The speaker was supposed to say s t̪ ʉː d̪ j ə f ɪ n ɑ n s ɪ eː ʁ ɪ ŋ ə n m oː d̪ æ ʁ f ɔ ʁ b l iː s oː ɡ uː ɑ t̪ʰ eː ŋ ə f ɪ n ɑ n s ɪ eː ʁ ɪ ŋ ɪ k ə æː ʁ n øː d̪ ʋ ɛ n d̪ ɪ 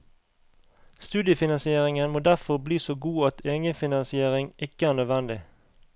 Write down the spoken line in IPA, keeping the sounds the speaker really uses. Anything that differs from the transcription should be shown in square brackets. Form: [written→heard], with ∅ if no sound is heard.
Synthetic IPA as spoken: s t̪ ʉː d̪ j ə f ɪ n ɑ n s ɪ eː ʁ ɪ ŋ ə n m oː d̪ æ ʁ f ɔ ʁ b l iː s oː ɡ uː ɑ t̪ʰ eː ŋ ə f ɪ n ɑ n s ɪ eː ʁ ɪ ŋ ɪ k ə æː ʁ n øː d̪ ʋ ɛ n d̪ ɪ